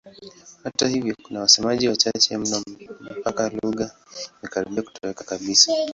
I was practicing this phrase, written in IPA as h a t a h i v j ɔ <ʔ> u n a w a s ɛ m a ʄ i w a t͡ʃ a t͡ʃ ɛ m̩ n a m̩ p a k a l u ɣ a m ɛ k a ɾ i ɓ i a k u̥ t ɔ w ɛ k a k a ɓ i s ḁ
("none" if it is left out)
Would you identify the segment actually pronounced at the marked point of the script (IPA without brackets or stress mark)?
k